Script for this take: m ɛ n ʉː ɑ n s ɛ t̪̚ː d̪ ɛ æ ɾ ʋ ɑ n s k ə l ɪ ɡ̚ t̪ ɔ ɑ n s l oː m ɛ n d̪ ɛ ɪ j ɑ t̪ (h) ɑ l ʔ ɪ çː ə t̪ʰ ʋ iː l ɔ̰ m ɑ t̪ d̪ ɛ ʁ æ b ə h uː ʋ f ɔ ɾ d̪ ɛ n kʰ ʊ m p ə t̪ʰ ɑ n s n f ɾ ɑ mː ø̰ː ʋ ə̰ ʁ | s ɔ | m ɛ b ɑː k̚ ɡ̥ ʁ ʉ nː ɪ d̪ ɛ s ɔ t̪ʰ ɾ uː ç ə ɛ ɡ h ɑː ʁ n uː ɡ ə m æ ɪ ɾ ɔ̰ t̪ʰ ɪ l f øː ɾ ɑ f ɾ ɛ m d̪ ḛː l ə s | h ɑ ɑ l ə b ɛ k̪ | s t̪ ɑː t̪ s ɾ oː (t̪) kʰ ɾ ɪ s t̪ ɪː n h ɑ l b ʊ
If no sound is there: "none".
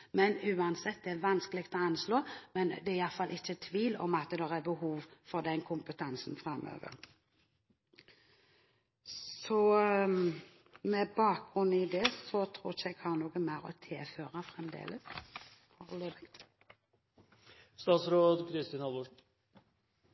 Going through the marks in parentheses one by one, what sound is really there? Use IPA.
f, d̪

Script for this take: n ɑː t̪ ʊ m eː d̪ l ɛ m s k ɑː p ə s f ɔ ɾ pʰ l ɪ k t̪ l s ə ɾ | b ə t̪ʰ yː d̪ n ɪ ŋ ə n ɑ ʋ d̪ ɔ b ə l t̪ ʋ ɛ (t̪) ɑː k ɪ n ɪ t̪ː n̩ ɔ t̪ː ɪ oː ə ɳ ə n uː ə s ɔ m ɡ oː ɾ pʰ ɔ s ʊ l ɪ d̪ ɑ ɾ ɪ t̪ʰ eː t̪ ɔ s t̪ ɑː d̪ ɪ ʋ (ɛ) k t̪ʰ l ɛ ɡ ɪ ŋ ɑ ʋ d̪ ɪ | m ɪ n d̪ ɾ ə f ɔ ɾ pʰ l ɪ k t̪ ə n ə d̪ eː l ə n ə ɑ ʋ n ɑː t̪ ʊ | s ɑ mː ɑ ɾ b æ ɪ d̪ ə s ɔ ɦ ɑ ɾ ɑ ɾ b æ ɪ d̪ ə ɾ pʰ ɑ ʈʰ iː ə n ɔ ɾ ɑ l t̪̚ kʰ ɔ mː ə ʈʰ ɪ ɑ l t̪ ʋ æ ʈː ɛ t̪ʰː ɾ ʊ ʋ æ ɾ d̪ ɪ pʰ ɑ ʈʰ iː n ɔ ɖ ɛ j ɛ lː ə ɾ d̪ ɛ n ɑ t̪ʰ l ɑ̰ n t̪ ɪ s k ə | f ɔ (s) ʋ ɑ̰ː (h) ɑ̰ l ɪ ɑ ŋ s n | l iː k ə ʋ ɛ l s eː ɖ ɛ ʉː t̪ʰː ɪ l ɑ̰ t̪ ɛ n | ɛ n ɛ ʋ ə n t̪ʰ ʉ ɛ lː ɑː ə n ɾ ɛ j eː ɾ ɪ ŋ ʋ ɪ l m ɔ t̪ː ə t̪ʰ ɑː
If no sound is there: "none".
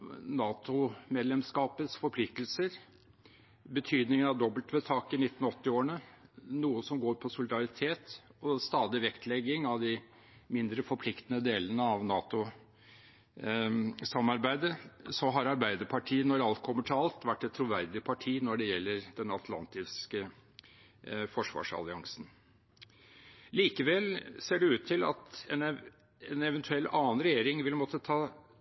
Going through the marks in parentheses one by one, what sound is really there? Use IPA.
t̪ʰ, ɛ, ʂ, ʂ

